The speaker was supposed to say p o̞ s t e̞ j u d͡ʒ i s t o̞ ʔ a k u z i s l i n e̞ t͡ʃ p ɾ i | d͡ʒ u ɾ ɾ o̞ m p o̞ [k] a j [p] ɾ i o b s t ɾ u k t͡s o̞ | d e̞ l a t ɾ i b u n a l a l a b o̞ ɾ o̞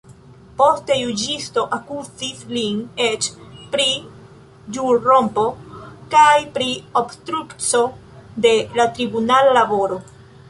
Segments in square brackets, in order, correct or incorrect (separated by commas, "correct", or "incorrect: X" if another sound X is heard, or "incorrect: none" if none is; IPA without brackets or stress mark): correct, correct